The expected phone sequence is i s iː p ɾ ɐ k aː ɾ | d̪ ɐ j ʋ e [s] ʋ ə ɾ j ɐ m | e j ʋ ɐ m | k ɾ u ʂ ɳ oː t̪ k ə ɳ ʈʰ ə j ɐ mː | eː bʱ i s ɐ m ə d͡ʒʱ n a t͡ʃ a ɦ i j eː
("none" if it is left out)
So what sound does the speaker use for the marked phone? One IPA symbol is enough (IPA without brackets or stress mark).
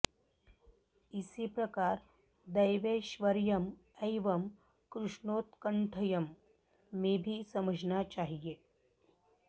ʃ